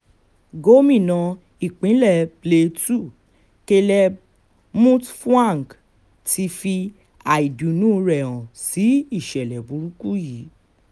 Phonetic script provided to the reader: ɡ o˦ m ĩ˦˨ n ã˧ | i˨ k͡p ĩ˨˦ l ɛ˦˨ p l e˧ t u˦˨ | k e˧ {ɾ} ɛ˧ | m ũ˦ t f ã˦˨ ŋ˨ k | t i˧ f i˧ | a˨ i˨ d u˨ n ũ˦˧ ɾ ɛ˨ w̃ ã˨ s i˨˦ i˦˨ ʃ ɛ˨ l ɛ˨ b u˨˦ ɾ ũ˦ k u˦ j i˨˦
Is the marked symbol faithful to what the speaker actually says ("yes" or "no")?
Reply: no